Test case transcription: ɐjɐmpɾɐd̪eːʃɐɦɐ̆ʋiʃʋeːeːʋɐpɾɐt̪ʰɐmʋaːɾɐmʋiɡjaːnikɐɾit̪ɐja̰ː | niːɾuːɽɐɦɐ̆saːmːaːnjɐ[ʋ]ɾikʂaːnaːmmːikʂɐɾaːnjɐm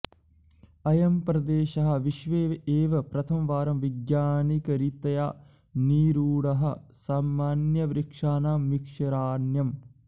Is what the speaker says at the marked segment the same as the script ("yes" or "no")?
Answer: yes